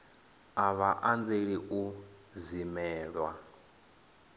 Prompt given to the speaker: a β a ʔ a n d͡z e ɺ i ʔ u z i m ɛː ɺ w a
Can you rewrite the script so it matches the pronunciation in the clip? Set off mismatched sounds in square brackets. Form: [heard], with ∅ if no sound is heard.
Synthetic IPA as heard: a β a ʔ a n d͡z e ɺ i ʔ u z i m ɛː ɺ w a